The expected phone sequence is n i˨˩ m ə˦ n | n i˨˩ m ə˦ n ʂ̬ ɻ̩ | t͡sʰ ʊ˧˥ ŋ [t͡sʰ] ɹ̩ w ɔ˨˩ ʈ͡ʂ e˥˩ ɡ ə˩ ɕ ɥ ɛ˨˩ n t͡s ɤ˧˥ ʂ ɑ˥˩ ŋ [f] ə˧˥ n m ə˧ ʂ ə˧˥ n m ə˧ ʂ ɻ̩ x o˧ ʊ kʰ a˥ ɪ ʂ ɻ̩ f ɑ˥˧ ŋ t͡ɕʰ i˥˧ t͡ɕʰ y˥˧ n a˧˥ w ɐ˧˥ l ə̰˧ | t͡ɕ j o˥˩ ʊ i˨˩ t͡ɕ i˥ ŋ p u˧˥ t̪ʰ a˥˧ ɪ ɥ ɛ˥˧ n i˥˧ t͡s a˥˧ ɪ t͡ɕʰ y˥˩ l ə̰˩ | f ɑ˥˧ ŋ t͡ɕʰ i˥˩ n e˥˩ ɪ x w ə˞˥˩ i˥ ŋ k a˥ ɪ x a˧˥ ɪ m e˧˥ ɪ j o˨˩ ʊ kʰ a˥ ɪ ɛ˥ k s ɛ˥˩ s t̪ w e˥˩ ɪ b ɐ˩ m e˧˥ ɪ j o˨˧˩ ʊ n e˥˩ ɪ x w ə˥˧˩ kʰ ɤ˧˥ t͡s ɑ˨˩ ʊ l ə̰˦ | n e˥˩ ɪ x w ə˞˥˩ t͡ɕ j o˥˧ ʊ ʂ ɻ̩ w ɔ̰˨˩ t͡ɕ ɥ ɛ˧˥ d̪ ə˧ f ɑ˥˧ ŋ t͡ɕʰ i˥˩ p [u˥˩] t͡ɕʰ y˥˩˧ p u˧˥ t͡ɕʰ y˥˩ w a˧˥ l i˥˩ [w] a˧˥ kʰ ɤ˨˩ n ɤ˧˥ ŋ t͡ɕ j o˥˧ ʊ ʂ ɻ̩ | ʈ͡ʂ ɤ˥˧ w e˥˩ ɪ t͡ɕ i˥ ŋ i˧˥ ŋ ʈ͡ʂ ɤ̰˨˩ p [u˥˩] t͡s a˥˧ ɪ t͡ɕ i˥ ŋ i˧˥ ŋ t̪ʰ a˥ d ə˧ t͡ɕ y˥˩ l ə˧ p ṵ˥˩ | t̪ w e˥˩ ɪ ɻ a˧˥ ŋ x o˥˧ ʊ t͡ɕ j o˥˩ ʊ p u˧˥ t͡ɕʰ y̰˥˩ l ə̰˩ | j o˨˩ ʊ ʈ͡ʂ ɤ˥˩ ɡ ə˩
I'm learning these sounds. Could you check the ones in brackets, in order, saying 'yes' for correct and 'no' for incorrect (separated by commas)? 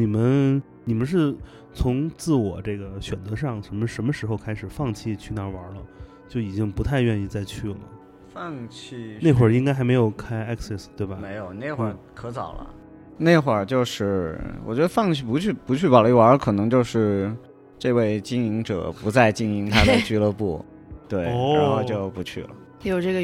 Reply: no, no, no, yes, no